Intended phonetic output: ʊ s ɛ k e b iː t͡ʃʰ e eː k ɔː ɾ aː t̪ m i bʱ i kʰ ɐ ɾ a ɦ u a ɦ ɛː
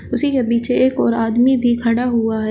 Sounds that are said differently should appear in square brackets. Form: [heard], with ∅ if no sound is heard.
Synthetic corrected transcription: ʊ s [i] k e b iː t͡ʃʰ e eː k ɔː ɾ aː [d̪] m i bʱ i kʰ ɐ [ɽ] a ɦ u a ɦ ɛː